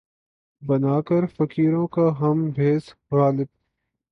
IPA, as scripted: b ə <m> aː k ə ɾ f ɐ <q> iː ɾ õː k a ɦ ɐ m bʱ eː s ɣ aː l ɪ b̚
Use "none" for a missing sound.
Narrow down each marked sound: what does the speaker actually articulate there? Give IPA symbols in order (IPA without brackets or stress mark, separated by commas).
n, k